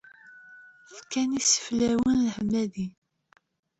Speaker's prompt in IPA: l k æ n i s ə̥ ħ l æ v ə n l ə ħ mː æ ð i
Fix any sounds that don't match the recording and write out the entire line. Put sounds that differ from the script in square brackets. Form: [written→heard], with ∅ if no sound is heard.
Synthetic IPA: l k æ n i s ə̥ [ħ→f] l æ [v→w] ə n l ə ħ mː æ ð i

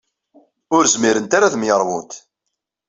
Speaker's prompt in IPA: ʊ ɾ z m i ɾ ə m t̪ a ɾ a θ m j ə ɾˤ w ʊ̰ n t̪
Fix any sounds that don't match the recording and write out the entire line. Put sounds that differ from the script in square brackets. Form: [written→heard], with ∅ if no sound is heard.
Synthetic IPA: ʊ ɾ z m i ɾ ə [m→n] t̪ a ɾ a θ m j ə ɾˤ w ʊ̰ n t̪

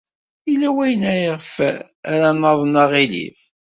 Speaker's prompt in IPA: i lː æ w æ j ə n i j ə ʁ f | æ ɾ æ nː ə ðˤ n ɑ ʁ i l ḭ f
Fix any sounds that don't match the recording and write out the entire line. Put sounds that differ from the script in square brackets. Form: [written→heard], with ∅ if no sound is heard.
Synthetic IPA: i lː æ w æ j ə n [i→æ] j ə ʁ f | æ ɾ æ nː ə ðˤ n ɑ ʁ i l ḭ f

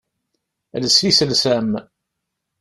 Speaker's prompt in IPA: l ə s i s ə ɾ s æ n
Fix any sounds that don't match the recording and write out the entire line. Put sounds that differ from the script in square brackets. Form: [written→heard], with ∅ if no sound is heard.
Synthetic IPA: l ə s i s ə [ɾ→l] s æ [n→m]

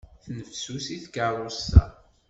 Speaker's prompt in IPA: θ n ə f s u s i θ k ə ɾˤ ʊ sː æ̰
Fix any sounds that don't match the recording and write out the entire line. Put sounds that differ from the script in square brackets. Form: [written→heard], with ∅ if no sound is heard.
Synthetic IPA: θ n ə f s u s i θ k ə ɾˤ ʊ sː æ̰

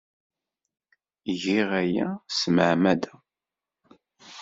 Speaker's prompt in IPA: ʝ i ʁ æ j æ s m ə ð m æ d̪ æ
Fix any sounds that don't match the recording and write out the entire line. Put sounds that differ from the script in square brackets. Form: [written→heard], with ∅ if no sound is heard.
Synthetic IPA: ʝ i ʁ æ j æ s m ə [ð→ʕ] m æ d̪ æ

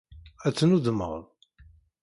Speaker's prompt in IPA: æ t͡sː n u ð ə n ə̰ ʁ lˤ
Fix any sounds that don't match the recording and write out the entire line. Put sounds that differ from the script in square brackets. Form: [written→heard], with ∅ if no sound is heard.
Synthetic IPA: æ t͡sː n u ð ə [n→m] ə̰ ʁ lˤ

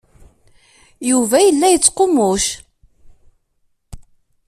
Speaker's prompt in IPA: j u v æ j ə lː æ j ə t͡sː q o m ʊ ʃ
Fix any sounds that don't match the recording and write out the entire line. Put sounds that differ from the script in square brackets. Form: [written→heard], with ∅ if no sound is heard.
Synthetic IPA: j u v æ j ə lː æ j ə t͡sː q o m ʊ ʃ

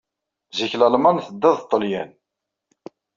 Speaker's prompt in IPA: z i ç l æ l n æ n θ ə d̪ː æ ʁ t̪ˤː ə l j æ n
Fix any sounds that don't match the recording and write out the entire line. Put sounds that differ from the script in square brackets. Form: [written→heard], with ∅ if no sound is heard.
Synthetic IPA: z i ç l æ l [n→m] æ n θ ə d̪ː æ [ʁ→ð] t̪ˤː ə l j æ n

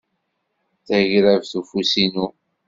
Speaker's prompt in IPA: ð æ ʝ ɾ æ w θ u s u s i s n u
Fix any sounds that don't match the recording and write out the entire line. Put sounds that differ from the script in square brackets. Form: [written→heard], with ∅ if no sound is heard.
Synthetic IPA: [ð→θ] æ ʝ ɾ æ [w→v] θ u [s→f] u s i [s→∅] n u

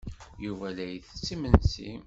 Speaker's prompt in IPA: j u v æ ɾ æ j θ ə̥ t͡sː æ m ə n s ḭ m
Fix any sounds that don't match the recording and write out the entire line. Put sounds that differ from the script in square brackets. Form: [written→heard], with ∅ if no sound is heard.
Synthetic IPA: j u v æ [ɾ→l] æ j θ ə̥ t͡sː [æ→i] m ə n s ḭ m

